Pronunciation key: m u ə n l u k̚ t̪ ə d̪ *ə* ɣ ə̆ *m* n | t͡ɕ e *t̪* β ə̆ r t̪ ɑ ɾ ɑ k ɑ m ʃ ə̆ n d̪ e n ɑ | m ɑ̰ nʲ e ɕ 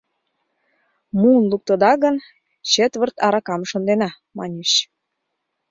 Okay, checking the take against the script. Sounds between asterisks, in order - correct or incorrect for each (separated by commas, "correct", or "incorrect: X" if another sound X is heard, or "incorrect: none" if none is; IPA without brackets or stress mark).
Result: incorrect: ɑ, incorrect: none, correct